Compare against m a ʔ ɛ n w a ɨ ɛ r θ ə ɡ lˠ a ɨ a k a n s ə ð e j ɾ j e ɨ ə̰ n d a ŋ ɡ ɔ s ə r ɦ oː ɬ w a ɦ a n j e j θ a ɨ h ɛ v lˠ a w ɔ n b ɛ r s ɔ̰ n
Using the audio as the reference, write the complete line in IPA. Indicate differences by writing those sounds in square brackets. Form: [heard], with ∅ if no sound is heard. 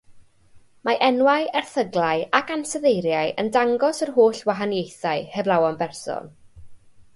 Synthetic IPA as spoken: m a ʔ ɛ n w a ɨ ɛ r θ ə ɡ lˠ a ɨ a k a n s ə ð e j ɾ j [a] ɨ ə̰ n d a ŋ ɡ ɔ s ə r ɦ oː ɬ w a ɦ a n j e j θ a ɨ h ɛ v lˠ a w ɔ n b ɛ r s ɔ̰ n